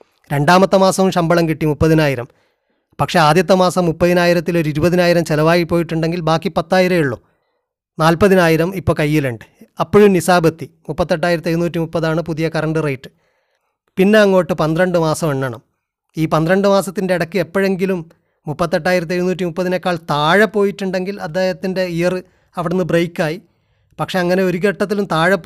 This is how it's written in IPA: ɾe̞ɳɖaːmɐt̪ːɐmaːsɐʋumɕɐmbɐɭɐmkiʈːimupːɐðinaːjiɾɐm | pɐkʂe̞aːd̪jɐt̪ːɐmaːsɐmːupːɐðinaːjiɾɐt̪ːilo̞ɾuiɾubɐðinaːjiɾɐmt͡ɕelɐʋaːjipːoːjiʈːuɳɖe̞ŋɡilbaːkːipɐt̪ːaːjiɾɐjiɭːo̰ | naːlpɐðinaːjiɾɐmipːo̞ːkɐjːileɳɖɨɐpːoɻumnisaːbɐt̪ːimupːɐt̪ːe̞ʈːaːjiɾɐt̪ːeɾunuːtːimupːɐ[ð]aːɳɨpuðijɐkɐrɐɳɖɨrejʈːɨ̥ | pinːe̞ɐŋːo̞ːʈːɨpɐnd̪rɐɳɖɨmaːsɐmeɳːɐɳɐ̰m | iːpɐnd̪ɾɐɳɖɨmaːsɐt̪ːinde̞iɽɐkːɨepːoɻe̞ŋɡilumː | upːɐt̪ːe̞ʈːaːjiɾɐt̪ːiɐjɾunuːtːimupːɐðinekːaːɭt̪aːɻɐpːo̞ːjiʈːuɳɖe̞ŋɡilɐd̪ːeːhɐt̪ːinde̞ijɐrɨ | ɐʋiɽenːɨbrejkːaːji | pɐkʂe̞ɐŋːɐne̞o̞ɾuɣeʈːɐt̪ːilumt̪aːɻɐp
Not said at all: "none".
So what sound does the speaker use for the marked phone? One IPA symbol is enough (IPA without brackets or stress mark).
ð